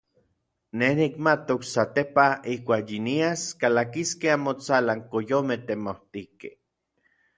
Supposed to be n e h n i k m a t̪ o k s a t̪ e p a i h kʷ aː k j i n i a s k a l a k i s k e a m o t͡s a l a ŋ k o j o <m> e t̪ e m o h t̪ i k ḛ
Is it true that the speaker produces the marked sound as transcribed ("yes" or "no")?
yes